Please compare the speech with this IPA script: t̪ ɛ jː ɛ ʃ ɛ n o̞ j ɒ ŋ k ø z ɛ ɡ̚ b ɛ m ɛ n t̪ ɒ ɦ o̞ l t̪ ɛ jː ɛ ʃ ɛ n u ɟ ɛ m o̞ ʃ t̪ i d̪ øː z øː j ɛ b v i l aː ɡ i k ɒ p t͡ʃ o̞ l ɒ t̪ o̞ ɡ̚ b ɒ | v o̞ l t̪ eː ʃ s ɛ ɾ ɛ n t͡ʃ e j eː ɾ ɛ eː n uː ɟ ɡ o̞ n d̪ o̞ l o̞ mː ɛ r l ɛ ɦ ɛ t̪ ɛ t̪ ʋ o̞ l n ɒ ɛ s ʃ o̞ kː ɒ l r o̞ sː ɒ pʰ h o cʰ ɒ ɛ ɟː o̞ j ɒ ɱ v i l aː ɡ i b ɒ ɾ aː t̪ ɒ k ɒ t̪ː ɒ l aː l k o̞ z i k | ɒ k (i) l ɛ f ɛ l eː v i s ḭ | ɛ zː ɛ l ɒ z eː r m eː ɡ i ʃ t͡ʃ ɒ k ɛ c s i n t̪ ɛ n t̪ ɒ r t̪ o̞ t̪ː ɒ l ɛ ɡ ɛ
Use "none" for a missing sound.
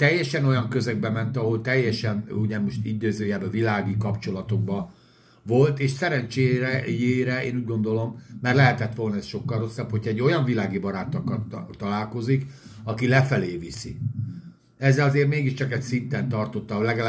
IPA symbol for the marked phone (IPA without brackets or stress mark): i